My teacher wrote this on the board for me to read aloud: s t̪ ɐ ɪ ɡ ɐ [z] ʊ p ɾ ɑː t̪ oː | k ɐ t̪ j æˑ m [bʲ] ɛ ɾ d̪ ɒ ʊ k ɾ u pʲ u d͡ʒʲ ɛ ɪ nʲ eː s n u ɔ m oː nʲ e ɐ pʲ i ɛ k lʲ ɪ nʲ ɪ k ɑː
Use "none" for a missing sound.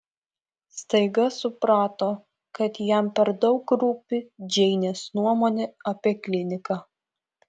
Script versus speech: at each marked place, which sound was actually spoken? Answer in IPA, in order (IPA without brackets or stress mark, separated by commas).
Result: s, pʲ